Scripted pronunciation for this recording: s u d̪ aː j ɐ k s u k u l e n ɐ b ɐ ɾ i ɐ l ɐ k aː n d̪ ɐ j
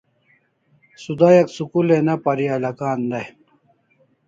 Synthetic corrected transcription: s u d̪ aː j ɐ k s u k u l e n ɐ p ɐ ɾ i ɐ l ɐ k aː n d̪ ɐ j